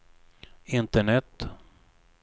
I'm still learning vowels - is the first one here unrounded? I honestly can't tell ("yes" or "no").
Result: yes